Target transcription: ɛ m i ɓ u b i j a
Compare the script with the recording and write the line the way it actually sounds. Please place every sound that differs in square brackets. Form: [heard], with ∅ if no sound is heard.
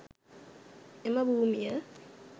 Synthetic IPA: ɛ m [a] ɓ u [m] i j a